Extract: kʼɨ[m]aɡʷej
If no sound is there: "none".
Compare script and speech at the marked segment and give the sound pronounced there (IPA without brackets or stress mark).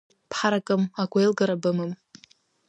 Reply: m